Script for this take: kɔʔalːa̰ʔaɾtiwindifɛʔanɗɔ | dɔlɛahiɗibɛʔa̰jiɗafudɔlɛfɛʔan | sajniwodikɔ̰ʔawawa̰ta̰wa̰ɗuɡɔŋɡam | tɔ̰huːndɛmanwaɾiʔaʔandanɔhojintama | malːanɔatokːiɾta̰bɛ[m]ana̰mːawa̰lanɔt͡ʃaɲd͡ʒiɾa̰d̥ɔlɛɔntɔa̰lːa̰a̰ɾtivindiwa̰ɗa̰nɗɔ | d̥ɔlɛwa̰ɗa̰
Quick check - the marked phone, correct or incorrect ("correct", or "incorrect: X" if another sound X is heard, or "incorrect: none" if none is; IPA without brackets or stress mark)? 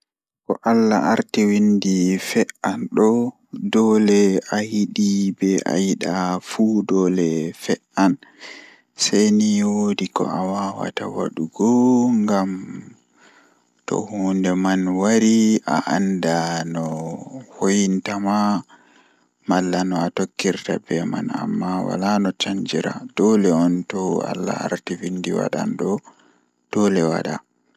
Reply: correct